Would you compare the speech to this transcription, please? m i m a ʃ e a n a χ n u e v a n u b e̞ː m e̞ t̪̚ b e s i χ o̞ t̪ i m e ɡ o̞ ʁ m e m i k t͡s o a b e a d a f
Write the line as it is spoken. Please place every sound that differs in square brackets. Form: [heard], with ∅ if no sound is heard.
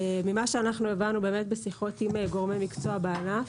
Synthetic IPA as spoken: m i m a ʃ e a n a χ n u e v a n u b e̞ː m e̞ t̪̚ b e s i χ o̞ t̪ i m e ɡ o̞ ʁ m e m i k t͡s o a b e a [n] a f